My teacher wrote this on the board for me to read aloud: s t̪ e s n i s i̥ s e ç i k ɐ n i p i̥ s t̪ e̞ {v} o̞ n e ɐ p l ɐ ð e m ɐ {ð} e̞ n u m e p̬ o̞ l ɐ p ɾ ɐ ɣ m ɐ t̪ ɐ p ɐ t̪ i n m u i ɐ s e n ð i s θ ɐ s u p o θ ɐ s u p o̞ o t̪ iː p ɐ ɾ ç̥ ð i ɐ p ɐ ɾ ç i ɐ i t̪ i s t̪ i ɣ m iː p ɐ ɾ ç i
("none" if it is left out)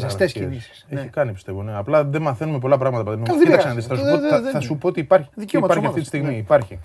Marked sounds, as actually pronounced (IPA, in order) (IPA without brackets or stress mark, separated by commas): v, θ